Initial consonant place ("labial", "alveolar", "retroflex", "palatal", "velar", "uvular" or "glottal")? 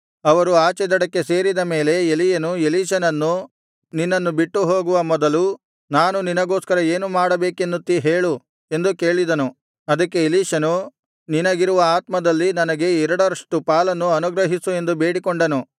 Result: labial